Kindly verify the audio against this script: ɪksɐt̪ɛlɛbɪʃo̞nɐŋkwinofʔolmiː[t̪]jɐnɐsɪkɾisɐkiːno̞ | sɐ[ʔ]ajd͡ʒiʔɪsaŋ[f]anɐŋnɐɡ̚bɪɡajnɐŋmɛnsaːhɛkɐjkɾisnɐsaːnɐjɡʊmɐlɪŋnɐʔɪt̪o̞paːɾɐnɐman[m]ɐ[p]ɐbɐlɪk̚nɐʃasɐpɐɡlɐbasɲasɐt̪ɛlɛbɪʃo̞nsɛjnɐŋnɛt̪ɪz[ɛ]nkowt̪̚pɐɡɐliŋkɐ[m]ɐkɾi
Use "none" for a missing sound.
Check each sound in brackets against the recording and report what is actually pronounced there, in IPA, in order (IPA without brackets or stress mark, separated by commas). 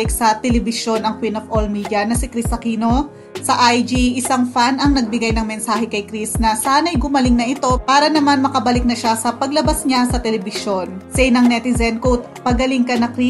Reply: d̪, ʔ, f, m, k, ɛ, n